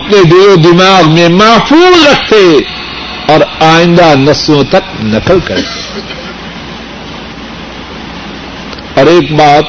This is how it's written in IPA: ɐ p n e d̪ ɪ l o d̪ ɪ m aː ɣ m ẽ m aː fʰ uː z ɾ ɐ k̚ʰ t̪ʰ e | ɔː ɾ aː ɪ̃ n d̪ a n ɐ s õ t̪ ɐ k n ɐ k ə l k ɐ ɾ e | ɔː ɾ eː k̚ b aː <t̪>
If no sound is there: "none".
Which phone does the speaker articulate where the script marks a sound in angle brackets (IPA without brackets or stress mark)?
t̪